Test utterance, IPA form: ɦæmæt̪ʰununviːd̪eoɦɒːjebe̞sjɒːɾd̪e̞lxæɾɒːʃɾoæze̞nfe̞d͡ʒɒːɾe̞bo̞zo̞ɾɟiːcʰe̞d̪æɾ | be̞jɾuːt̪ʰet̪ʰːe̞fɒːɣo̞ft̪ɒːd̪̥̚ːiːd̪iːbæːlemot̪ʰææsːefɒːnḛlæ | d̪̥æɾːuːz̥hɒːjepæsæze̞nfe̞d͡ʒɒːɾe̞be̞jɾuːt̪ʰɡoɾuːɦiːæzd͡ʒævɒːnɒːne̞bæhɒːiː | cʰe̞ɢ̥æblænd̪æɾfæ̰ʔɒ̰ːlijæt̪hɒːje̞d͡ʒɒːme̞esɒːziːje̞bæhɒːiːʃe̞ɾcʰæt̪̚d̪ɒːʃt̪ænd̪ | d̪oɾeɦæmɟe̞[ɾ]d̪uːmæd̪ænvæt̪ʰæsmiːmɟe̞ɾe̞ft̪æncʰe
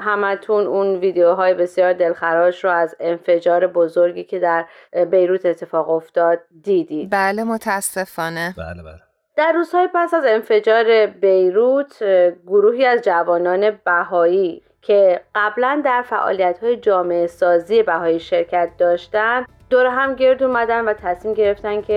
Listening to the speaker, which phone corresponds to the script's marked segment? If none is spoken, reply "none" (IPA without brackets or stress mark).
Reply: ɾ